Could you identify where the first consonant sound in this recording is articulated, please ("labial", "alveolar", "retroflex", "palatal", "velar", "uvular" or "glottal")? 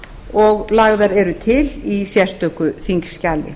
velar